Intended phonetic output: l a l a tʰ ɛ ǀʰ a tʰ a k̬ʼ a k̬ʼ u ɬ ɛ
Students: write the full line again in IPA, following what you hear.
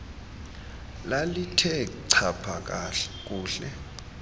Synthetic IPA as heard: l a l i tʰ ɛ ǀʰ a pʰ a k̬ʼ a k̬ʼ uː ɬ ɛ